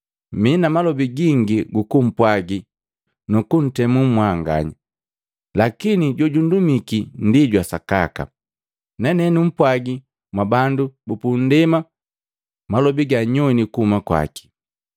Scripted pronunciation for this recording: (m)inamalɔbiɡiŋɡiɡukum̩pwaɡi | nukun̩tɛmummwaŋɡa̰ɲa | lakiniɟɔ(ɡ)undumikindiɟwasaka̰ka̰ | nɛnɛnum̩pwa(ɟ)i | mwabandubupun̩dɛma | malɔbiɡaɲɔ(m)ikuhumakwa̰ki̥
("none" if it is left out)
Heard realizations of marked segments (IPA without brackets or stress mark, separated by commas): m, ɟ, ɡ, n